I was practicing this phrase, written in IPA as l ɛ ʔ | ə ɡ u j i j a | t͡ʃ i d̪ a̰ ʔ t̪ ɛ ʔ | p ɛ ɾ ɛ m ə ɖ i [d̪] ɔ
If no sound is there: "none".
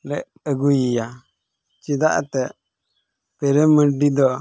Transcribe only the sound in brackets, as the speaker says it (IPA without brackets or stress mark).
d̪